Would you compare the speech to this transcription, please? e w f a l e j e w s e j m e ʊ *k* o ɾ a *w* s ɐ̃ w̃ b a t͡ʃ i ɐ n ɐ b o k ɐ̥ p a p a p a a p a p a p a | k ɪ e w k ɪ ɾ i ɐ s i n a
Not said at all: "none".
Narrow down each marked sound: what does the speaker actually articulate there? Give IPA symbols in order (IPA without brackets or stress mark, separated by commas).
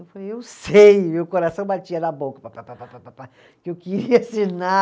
k, none